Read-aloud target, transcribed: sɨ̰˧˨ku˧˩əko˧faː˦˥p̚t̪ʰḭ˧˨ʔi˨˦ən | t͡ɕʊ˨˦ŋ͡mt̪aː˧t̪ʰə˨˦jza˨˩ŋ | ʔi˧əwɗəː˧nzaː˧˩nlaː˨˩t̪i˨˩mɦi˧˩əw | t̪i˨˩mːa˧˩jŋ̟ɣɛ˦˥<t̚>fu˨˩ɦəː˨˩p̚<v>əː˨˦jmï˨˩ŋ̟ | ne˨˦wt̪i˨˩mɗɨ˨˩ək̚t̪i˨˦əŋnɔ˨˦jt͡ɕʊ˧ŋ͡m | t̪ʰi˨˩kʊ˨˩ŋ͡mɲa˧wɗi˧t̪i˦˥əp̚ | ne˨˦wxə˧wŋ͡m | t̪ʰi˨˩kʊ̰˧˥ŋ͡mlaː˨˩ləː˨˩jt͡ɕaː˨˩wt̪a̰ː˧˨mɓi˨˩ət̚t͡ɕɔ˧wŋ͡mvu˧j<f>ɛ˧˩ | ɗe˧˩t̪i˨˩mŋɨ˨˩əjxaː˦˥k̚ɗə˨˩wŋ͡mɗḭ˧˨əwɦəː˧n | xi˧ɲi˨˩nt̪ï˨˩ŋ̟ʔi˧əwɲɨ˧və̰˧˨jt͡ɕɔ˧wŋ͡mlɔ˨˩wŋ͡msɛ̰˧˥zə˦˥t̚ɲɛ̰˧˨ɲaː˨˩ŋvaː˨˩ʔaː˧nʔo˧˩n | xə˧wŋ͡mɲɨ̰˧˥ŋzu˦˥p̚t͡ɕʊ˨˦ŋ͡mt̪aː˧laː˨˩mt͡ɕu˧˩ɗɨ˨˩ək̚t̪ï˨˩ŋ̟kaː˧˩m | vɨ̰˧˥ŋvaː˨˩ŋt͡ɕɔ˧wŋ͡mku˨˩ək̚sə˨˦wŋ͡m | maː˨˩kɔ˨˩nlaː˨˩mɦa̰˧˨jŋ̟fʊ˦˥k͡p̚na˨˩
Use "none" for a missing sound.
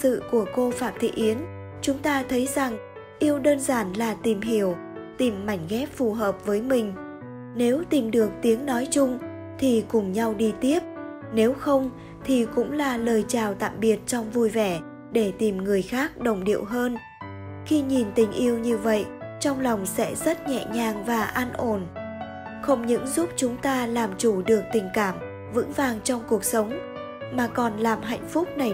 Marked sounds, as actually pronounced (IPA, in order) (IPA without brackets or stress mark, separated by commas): p̚, v, v